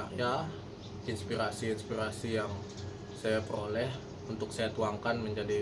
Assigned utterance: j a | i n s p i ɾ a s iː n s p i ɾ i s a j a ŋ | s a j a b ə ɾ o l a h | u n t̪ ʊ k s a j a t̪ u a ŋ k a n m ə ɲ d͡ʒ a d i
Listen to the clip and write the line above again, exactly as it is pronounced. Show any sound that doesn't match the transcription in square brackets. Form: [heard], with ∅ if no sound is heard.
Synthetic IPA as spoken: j a | i n s p i ɾ a s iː n s p i ɾ [a] s [i] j a ŋ | s a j a [p] ə ɾ o l [ɛ] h | u n t̪ ʊ k s a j a t̪ u a ŋ k a n m ə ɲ d͡ʒ a d i